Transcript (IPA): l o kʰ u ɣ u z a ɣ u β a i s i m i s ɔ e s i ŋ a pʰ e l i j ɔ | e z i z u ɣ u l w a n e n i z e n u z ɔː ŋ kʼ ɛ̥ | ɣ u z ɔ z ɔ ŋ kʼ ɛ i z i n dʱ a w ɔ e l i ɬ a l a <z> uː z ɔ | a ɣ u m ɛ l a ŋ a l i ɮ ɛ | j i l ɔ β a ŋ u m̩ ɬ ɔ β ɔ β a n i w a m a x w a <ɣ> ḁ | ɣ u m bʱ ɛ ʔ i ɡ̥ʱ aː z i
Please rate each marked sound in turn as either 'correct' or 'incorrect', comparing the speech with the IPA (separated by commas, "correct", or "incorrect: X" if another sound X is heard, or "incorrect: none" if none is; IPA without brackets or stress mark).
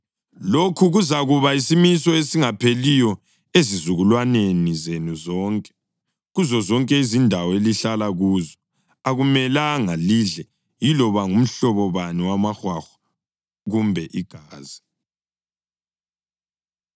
incorrect: ɣ, incorrect: x